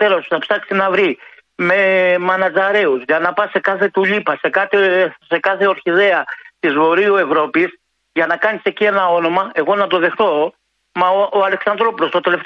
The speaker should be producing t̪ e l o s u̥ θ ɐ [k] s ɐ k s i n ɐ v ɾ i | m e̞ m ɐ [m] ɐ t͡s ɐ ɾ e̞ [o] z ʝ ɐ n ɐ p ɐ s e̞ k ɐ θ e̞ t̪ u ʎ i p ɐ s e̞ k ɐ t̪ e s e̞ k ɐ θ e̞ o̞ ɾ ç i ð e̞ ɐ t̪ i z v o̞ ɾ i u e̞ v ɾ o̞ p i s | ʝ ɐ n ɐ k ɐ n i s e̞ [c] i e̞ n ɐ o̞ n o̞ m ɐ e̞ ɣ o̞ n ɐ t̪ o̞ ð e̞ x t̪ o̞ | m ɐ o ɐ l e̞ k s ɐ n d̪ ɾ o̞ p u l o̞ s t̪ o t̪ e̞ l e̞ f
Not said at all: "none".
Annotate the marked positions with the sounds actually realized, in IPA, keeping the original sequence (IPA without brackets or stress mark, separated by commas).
p, n, u, c